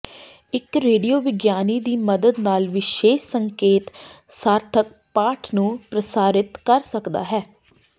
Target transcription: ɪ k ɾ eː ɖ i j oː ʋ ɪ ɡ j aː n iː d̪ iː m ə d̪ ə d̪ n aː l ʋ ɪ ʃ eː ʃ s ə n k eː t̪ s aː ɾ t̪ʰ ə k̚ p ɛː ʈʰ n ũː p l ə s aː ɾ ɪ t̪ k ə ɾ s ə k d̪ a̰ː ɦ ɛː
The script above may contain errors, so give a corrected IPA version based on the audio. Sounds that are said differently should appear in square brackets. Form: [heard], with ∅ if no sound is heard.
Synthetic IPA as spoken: ɪ k ɾ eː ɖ i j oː ʋ ɪ ɡ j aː n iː d̪ iː m ə d̪ ə d̪ n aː l ʋ ɪ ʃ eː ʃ s ə [ŋ] k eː t̪ s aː ɾ t̪ʰ ə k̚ p [aː] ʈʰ n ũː p [ɾ] ə s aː ɾ ɪ t̪ k ə ɾ s ə k d̪ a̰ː ɦ ɛː